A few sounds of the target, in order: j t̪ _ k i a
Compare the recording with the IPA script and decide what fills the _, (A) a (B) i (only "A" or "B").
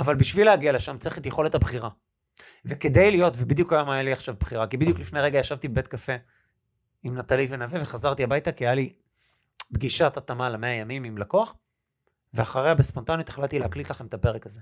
A